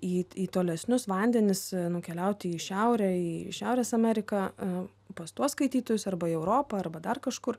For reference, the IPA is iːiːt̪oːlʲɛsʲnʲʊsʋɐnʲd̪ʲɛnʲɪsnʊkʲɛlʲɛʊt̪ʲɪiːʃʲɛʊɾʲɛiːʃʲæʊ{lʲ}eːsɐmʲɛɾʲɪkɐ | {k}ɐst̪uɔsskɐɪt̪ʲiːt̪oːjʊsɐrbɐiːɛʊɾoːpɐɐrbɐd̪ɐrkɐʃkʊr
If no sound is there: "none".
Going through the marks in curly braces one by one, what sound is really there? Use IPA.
ɾʲ, p

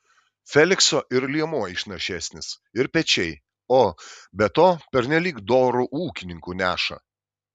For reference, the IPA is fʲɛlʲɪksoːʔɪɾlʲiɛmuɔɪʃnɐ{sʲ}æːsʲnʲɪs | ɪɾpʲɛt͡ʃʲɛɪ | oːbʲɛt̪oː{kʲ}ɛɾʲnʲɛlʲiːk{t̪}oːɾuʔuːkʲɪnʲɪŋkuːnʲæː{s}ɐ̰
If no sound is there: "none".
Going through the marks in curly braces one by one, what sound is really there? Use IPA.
ʃʲ, pʲ, d̪, ʃ

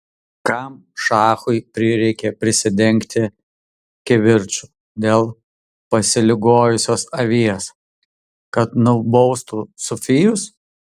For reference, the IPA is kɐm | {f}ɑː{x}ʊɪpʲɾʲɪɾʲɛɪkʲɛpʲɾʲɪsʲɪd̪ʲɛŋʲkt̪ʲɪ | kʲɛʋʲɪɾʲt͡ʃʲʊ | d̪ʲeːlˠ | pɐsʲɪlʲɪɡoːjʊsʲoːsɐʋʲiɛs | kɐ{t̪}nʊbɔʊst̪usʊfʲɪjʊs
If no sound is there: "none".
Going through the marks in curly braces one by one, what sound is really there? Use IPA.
ʃ, x, t̪

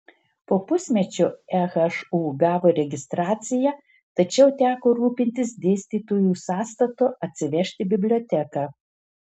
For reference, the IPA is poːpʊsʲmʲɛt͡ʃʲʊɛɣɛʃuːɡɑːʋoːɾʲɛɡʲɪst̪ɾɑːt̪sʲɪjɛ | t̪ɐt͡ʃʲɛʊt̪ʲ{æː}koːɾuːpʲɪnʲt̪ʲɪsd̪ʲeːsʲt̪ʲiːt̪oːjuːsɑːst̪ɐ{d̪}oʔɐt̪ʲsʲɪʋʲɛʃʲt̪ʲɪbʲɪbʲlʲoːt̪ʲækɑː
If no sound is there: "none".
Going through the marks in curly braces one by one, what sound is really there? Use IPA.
æː, t̪

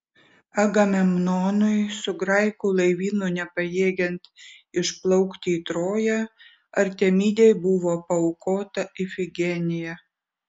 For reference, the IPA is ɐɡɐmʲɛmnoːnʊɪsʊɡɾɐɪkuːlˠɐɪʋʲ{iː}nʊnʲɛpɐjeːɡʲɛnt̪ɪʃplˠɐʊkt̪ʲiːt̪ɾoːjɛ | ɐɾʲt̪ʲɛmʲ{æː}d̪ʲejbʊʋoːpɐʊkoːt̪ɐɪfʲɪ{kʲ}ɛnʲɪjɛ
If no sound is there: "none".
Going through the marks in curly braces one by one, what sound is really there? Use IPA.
iː, iː, ɡʲ

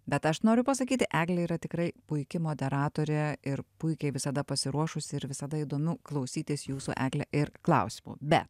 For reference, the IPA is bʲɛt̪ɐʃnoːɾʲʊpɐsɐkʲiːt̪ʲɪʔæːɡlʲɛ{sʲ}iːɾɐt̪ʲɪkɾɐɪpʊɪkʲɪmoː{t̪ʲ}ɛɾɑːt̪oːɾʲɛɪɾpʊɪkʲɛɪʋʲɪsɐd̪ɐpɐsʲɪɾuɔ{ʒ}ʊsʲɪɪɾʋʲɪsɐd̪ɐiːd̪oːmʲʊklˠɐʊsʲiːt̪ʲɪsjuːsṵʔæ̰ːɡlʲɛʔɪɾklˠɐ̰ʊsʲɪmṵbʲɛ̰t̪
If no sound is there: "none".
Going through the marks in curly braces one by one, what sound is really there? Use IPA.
none, d̪ʲ, ʃ

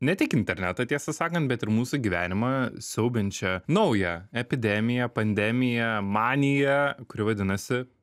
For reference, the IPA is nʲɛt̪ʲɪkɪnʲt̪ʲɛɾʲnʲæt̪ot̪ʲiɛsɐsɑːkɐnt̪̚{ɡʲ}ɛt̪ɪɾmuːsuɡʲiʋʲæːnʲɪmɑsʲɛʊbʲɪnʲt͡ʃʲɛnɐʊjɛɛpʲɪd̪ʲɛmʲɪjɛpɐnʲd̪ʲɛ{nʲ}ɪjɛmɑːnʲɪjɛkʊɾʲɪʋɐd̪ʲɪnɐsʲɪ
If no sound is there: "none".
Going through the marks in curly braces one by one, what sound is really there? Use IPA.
bʲ, mʲ

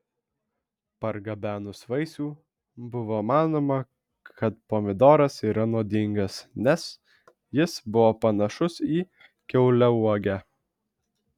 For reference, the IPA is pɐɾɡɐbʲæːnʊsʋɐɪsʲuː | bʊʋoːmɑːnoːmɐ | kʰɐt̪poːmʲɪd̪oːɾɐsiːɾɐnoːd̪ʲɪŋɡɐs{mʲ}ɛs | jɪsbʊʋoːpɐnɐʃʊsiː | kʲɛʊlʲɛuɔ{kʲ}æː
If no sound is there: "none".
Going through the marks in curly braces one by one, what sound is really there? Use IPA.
nʲ, ɡʲ

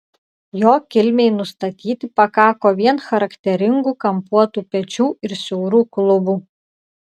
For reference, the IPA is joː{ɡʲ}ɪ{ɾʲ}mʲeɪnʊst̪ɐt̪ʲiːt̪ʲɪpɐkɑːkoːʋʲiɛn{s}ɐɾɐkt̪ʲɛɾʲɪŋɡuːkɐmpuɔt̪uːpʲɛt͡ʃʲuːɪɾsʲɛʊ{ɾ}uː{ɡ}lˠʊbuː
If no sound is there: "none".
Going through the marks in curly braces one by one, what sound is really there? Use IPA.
kʲ, lʲ, x, ɾ, k

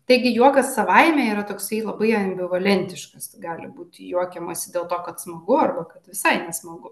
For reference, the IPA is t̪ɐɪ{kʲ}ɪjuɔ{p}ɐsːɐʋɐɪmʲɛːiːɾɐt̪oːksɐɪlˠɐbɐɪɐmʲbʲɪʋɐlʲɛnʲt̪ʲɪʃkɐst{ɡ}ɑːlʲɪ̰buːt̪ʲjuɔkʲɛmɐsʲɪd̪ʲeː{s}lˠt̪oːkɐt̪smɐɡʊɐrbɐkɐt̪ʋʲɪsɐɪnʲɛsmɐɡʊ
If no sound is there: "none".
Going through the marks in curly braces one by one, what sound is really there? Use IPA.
ɡʲ, k, ɡ, none

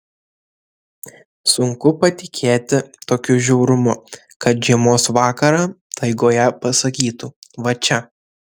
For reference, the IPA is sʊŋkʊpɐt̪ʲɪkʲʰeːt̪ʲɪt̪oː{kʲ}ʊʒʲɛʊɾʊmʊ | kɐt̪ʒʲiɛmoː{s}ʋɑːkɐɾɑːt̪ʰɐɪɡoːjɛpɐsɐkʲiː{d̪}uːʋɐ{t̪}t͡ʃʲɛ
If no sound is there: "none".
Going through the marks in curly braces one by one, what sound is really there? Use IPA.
kʲ, s, t̪, none

